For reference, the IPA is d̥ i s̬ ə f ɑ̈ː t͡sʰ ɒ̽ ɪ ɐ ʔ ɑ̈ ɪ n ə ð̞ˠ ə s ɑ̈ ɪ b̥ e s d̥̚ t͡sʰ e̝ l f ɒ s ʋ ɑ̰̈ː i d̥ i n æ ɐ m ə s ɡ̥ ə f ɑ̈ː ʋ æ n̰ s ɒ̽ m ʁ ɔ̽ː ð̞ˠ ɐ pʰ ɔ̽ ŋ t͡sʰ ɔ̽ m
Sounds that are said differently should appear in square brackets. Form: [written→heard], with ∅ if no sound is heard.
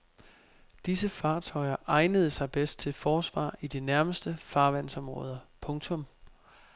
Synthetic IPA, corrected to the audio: d̥ i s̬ ə f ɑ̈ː t͡sʰ ɒ̽ ɪ ɐ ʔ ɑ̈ ɪ n ə ð̞ˠ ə s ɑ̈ ɪ b̥ e s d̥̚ t͡sʰ e̝ l f [ɒ→ɒː] s ʋ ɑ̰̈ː i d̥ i n æ ɐ m ə s [ɡ̥→d̥] ə f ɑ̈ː ʋ æ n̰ s ɒ̽ m ʁ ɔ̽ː ð̞ˠ ɐ pʰ ɔ̽ ŋ t͡sʰ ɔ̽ m